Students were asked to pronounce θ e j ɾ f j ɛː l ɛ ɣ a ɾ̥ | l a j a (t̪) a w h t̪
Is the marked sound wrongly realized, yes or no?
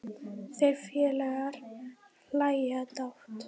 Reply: no